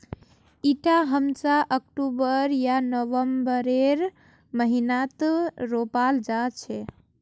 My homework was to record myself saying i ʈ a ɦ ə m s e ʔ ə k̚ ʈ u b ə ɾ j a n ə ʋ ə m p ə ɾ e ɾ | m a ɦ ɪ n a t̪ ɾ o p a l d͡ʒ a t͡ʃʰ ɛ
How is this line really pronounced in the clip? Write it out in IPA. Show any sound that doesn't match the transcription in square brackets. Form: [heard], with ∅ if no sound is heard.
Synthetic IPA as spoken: i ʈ a ɦ ə m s [a] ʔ ə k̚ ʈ u b ə ɾ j a n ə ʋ ə m [b] ə ɾ e ɾ | m [ə] ɦ [i] n a t̪ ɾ o p a l d͡ʒ a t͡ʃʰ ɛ